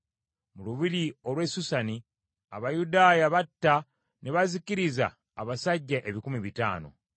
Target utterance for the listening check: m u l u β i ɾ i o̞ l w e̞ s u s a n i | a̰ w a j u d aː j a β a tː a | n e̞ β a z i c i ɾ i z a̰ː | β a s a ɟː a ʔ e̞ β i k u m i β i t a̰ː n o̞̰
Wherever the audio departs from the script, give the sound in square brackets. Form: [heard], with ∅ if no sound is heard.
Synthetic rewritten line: m u l u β i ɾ i o̞ l w e̞ s u s a n i | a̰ [β] a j u d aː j a β a tː a | n e̞ β a z i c i ɾ i z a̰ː | β a s a ɟː a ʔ e̞ β i k u m i β i t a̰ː n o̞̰

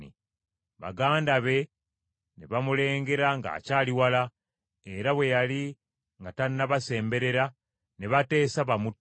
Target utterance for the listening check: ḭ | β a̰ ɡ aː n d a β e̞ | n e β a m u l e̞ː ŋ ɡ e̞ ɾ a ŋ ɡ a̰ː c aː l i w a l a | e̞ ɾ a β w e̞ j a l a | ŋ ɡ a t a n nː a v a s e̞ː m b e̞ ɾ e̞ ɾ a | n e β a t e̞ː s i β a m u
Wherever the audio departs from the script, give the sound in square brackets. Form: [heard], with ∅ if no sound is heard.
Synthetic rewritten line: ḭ | β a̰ ɡ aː n d a β e̞ | n e β a m u l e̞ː ŋ ɡ e̞ ɾ a ŋ ɡ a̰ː c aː l i w a l a | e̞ ɾ a β w e̞ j a l [i] | ŋ ɡ a t a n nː a [β] a s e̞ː m b e̞ ɾ e̞ ɾ a | n e β a t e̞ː s [a] β a m u

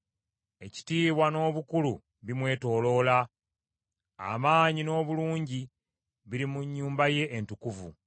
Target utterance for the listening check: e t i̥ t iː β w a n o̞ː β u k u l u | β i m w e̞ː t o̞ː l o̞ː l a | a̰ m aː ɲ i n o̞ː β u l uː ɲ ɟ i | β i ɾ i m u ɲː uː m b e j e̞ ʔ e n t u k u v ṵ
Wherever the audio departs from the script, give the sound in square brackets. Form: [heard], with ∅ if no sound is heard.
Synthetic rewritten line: e [c] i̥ t iː β w a n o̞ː β u k u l u | β i m w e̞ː t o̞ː l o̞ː l a | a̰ m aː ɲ i n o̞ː β u l uː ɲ ɟ i | β i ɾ i m u ɲː uː m b [a] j e̞ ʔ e n t u k u v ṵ

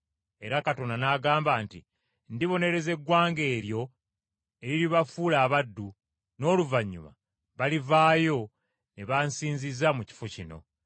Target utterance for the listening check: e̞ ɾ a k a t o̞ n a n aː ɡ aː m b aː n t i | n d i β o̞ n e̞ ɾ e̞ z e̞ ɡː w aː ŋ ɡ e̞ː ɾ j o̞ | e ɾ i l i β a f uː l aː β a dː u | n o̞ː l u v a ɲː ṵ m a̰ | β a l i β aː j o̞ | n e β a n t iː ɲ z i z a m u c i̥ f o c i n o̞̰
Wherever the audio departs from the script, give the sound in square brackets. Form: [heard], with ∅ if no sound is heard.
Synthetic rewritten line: e̞ ɾ a k a t o̞ n a n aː ɡ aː m b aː n t i | n d i β o̞ n e̞ ɾ e̞ z e̞ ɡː w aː ŋ ɡ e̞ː ɾ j o̞ | e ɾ i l i β a f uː l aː β a dː u | n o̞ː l u v a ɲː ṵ m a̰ | β a l i [v] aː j o̞ | n e β a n [s] iː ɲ z i z a m u c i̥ f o c i n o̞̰

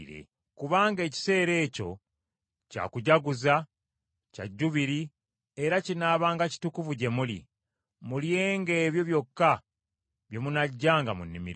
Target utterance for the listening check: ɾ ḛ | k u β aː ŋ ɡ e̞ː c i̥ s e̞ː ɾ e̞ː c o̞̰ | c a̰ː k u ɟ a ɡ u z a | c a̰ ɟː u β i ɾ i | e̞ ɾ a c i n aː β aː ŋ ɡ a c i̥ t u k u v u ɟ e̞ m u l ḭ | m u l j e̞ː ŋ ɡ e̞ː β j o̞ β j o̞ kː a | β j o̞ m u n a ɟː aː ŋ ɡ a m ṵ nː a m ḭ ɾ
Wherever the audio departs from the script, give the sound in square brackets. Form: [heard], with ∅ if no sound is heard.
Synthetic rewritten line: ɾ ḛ | k u β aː ŋ ɡ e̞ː c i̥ s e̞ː ɾ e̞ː c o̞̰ | c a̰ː k u ɟ a ɡ u z a | c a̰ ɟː u β i ɾ i | e̞ ɾ a c i n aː β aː ŋ ɡ a c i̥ t u k u v u ɟ e̞ m u l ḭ | m u l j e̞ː ŋ ɡ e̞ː β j o̞ β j o̞ kː a | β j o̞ m u n a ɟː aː ŋ ɡ a m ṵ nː [i] m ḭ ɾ

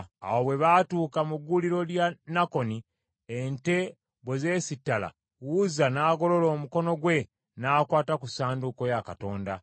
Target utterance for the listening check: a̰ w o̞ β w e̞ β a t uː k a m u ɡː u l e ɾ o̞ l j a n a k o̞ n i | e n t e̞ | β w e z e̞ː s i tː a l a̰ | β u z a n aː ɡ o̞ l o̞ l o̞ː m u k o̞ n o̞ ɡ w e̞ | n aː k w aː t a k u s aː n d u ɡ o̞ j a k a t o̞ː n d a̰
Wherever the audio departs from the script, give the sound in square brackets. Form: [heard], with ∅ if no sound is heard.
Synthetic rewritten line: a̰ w o̞ β w e̞ β a t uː k a m u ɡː u l [i] ɾ o̞ l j a n a k o̞ n i | e n t e̞ | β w e z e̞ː s i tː a l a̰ | [w] u z a n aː ɡ o̞ l o̞ l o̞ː m u k o̞ n o̞ ɡ w e̞ | n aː k w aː t a k u s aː n d u [k] o̞ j a k a t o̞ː n d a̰

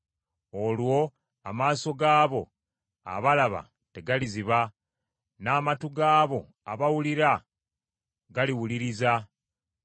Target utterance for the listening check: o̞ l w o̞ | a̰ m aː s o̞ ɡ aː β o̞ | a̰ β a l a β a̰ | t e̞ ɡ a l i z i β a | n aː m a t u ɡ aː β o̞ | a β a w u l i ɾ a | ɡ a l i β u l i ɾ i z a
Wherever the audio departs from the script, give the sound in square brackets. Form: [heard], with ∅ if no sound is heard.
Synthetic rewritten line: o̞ l w o̞ | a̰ m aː s o̞ ɡ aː β o̞ | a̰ β a l a β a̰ | t e̞ ɡ a l i z i β a | n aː m a t u ɡ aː β o̞ | a β a w u l i ɾ a | ɡ a l i [w] u l i ɾ i z a

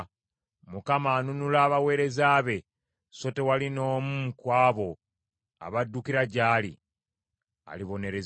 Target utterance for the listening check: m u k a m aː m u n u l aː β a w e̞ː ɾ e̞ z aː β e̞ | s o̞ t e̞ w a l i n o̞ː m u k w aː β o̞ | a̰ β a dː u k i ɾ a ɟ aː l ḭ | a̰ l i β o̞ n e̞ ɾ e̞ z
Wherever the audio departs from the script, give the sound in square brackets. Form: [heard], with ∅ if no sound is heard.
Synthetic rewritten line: m u k a m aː [n] u n u l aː β a w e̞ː ɾ e̞ z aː β e̞ | s o̞ t e̞ w a l i n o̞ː m u k w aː β o̞ | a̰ β a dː u k i ɾ a ɟ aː l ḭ | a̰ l i β o̞ n e̞ ɾ e̞ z

